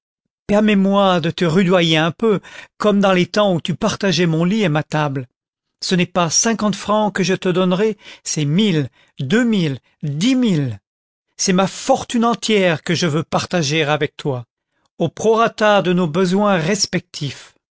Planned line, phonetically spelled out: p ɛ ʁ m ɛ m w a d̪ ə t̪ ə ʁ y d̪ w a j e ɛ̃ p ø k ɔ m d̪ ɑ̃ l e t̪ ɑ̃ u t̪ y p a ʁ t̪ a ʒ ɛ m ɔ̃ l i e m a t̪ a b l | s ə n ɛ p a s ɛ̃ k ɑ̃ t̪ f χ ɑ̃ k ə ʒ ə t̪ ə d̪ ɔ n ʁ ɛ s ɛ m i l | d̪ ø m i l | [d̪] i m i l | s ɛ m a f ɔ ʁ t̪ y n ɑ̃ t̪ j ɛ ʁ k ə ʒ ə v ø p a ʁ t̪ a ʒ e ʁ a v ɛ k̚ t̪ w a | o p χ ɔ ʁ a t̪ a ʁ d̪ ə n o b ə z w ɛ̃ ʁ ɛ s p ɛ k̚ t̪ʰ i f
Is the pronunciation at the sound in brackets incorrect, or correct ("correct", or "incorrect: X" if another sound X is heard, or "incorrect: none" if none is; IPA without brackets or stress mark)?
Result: correct